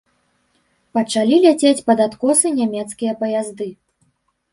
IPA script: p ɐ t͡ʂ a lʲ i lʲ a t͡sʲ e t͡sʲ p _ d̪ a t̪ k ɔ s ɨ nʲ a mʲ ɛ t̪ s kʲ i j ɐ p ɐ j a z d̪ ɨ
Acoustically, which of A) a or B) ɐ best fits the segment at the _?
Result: B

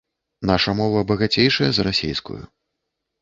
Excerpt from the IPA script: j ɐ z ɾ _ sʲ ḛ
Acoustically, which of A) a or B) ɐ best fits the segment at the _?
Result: A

